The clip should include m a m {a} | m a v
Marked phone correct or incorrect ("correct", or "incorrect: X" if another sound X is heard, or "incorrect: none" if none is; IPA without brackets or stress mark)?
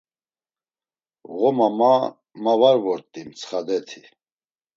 correct